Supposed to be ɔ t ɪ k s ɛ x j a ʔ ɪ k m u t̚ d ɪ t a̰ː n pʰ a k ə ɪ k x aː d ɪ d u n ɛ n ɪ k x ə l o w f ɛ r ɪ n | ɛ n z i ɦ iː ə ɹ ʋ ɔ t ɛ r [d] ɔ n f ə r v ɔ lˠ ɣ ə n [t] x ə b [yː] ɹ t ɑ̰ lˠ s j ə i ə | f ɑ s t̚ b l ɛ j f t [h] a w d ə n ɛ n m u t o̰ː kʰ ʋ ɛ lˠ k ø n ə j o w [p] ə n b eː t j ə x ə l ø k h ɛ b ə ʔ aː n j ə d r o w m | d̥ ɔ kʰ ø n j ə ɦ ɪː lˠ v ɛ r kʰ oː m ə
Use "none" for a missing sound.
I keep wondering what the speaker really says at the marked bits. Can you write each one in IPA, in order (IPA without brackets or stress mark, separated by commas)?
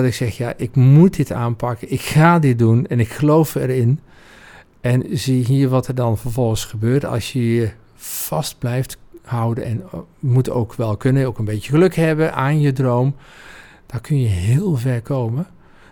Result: d, s, øː, h, k